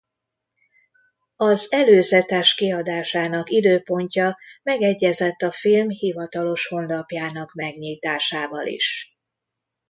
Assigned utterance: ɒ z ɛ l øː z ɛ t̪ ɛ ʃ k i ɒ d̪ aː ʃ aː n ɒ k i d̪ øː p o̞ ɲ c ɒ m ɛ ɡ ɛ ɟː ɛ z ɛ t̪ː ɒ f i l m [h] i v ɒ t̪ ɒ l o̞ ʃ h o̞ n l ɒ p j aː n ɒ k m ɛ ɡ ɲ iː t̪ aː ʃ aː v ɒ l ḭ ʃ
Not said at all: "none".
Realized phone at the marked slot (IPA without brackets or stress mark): h